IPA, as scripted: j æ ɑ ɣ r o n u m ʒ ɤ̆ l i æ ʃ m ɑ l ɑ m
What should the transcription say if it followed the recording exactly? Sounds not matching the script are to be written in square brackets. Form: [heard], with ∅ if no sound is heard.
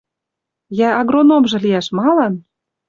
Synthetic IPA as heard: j æ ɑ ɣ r o n [o] m ʒ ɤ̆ l i æ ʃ m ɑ l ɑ [n]